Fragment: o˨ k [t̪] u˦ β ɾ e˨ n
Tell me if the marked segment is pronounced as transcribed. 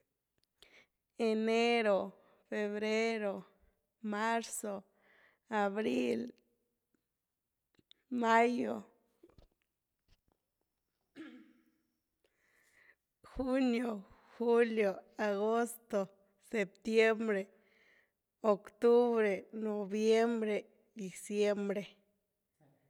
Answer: yes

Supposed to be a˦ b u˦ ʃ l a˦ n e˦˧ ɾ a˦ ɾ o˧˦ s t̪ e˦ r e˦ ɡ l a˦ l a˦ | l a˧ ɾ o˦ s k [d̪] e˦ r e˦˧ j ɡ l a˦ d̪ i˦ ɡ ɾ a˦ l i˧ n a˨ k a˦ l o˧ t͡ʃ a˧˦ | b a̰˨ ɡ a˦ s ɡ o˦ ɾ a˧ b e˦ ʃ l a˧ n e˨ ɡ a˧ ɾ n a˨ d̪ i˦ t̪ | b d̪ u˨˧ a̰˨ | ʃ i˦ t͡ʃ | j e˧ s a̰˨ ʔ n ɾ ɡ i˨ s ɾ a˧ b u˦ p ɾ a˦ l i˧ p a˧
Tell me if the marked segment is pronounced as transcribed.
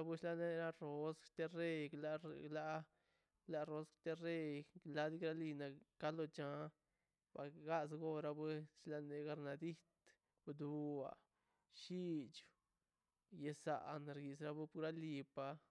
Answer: no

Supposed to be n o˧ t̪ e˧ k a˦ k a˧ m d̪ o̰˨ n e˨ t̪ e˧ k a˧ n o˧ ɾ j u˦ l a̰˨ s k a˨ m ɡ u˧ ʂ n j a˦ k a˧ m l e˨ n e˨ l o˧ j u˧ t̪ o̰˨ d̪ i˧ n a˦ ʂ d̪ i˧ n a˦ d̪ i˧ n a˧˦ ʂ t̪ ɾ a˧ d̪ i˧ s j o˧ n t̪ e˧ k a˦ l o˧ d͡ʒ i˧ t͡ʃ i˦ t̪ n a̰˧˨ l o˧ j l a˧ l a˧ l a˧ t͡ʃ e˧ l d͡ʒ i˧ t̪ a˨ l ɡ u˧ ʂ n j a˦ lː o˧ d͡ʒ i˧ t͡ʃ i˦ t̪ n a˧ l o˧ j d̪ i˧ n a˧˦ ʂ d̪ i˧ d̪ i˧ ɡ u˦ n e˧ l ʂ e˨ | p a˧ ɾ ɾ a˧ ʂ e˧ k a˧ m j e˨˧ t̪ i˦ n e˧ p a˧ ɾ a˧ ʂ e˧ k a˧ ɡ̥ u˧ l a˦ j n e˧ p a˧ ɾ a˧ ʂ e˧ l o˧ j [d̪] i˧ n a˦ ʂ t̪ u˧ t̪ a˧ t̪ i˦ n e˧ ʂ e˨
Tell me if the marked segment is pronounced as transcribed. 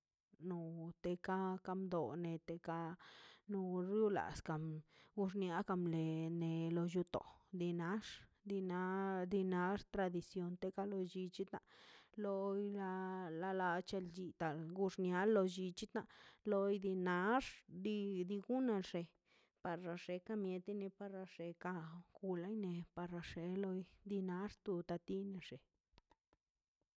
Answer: yes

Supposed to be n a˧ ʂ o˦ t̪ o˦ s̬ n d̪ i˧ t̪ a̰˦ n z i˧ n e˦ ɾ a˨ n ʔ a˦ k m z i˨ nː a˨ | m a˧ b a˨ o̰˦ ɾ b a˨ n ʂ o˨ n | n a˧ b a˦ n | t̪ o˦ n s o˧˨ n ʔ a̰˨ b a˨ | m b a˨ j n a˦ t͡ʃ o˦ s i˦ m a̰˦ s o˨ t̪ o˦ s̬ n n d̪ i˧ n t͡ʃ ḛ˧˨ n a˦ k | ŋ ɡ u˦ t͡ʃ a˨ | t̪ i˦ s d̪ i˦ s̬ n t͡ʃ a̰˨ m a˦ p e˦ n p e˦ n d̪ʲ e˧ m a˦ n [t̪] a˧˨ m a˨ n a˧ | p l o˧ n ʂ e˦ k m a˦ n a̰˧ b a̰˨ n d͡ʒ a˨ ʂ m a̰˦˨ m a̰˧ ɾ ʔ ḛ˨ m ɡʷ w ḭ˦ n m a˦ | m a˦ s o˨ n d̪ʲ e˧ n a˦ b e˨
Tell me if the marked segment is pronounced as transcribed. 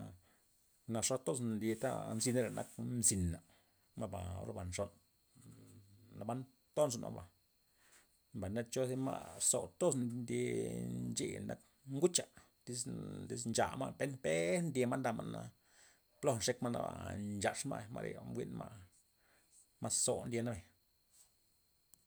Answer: no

